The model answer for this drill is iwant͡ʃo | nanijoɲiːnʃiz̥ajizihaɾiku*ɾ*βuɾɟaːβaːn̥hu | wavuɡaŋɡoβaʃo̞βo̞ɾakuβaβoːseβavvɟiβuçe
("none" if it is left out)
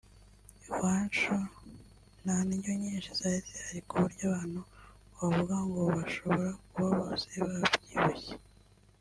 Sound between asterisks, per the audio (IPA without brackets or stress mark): none